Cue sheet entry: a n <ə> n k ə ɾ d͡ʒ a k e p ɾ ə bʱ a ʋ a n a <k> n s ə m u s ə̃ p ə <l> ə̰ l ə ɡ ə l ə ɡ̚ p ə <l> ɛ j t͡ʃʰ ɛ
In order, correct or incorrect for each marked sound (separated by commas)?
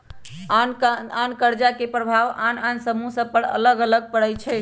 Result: incorrect, incorrect, incorrect, incorrect